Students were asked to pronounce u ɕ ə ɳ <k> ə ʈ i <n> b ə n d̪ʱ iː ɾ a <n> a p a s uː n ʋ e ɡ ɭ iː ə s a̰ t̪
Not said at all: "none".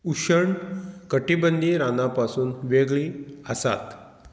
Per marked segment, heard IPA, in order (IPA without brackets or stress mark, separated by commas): k, none, n